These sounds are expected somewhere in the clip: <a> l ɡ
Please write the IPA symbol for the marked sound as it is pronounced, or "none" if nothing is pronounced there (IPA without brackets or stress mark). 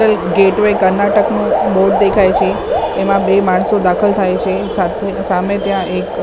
ə